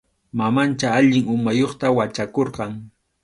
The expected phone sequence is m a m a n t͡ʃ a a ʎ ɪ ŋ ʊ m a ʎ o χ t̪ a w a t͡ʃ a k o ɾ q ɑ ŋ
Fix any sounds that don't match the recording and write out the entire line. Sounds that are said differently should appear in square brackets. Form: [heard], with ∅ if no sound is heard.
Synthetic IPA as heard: m a m a n t͡ʃ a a ʎ ɪ ŋ ʊ m a [j] o χ t̪ a w a t͡ʃ a k o ɾ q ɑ ŋ